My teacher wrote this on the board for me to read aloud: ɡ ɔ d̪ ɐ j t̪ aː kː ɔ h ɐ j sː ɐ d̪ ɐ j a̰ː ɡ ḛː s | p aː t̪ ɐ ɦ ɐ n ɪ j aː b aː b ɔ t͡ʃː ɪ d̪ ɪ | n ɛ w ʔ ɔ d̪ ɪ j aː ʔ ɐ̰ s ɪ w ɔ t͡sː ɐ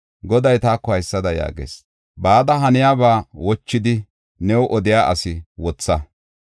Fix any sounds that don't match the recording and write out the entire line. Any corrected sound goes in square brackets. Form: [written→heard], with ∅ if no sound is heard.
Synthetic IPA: ɡ ɔ d̪ ɐ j t̪ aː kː ɔ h ɐ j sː ɐ d̪ ɐ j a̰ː ɡ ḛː s | [p→b] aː [t̪→d̪] ɐ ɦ ɐ n ɪ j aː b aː [b→w] ɔ t͡ʃː ɪ d̪ ɪ | n ɛ w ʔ ɔ d̪ ɪ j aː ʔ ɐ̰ s ɪ w ɔ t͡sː ɐ